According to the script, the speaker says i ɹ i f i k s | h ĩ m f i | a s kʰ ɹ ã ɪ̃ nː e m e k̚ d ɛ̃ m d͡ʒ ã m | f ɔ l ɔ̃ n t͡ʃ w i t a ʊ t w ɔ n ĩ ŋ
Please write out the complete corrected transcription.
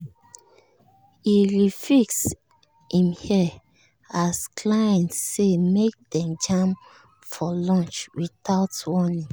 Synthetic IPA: i ɹ i f i k s | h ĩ m h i | a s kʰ l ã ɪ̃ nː e m e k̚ d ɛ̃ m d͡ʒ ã m | f ɔ l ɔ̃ n t͡ʃ w i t a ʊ t w ɔ n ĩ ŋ